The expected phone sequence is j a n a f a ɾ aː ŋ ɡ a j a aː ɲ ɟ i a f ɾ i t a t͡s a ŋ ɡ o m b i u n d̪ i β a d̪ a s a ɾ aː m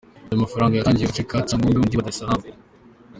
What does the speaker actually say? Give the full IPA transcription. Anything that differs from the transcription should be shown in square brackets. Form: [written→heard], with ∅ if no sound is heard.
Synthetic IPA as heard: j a [n→m] a f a ɾ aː ŋ ɡ a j a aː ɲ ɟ i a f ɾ i [t→k] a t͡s a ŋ ɡ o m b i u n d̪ i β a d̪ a s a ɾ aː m

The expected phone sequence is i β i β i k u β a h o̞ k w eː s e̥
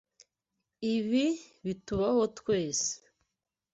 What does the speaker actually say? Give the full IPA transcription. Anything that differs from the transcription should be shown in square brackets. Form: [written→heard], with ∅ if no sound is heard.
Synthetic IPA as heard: i β i β i [k→t] u β a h o̞ [k→t] w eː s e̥

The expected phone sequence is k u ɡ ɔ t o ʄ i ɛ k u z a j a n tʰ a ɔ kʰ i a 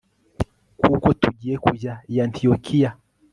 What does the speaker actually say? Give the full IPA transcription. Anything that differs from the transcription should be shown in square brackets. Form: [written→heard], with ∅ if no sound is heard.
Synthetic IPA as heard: k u [ɡ→k] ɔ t [o→u] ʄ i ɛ k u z a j a n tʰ [a→i] ɔ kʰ i a

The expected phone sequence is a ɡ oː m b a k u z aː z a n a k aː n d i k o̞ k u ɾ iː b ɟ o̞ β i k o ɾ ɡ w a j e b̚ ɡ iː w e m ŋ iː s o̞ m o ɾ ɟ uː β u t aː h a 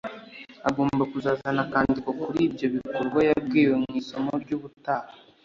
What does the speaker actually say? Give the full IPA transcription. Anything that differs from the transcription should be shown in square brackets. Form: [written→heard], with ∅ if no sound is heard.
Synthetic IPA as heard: a ɡ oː m b a k u z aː z a n a k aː n d i k o̞ k u ɾ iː b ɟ o̞ β i k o ɾ ɡ w a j [e→a] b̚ ɡ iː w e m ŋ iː s o̞ m o ɾ ɟ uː β u t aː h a

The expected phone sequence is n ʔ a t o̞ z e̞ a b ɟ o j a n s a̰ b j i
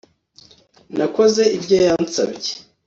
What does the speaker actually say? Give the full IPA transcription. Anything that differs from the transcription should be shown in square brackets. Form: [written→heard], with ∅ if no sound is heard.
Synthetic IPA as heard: n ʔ a [t→k] o̞ z e̞ [a→i] b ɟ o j a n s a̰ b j [i→e]

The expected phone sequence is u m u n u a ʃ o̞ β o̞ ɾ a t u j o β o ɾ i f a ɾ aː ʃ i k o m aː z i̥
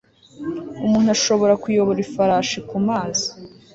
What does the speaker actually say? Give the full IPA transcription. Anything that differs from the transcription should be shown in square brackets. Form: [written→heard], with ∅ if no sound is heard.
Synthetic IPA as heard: u m [u→uː] n u a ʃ o̞ β o̞ ɾ a [t→k] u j o β o ɾ i f a ɾ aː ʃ i k [o→u] m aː z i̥

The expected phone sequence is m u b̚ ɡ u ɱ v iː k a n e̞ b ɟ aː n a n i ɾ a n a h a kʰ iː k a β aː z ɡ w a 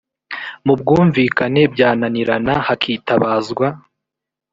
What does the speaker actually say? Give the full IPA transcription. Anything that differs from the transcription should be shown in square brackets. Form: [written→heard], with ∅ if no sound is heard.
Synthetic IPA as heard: m u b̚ ɡ [u→uː] ɱ v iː k a n e̞ b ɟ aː n a n i ɾ a n a h a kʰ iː [k→t] a β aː z ɡ w a

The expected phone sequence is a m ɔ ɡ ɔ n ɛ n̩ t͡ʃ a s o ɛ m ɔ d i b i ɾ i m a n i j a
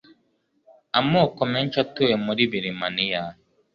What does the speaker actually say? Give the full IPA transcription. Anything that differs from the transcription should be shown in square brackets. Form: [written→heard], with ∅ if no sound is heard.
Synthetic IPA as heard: a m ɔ [ɡ→k] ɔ [n→m] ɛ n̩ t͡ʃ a [s→t] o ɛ m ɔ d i b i ɾ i m a n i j a

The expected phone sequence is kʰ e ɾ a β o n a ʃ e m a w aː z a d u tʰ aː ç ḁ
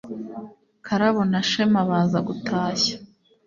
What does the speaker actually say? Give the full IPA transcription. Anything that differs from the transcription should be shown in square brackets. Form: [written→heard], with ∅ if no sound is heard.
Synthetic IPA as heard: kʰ [e→a] ɾ a β o n a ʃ e m a [w→β] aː z a [d→ɡ] u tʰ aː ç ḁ

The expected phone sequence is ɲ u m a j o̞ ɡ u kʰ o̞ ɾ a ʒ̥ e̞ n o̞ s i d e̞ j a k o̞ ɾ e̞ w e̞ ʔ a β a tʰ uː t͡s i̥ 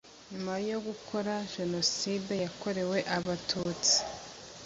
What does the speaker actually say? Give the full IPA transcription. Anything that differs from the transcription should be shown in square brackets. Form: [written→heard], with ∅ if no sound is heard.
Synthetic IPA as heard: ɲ u m a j o̞ ɡ u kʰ o̞ ɾ a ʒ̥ e̞ n o̞ s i d e̞ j a k o̞ ɾ e̞ w e̞ ʔ a β a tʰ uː t͡s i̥

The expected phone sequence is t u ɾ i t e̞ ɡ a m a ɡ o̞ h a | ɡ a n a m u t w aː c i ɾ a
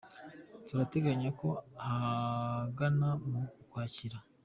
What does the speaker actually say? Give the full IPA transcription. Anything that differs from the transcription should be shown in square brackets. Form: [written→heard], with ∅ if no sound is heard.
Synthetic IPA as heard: t u ɾ [i→a] t e̞ ɡ a [m→ɲ] a [ɡ→k] o̞ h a | ɡ a n a m u [t→k] w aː c i ɾ a

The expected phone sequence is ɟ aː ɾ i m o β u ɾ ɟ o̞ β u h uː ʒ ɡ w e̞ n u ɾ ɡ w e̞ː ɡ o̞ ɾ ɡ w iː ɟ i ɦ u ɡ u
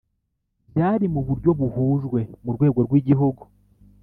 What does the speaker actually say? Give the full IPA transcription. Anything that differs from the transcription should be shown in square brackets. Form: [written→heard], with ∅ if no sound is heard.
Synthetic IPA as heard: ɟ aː ɾ i m [o→u] β u ɾ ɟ o̞ β u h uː ʒ ɡ w e̞ [n→m] u ɾ ɡ w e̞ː ɡ o̞ ɾ ɡ w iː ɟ i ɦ u ɡ u

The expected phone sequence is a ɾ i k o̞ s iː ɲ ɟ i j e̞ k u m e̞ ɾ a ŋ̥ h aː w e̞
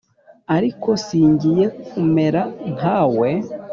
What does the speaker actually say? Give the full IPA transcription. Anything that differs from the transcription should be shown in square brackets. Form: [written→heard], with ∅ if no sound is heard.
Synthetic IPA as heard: a ɾ i k o̞ s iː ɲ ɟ i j e̞ k u m e̞ ɾ a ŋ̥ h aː w e̞

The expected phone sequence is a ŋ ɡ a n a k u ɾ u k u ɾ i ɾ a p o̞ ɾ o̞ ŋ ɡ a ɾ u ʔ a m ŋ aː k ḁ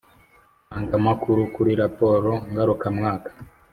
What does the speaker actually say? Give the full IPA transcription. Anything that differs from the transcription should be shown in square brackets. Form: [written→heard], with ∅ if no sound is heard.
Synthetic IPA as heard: a ŋ ɡ a [n→m] a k u ɾ u k u ɾ i ɾ a p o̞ ɾ o̞ ŋ ɡ a ɾ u [ʔ→k] a m ŋ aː k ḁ

